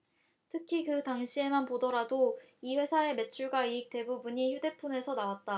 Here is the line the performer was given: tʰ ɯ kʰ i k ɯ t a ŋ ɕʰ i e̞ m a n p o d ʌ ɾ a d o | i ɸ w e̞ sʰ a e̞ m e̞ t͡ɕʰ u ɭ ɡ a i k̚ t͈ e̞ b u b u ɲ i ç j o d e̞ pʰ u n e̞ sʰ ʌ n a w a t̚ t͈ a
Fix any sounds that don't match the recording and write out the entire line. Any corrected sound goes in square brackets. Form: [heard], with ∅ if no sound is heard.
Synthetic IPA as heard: tʰ ɯ kʰ i k ɯ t a ŋ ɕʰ i e̞ m a n p o d ʌ ɾ a d o | i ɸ w e̞ sʰ a e̞ m e̞ t͡ɕʰ u ɭ ɡ a i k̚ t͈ e̞ b u b u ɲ i ç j [u] d e̞ pʰ u n e̞ sʰ ʌ n a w a t̚ t͈ a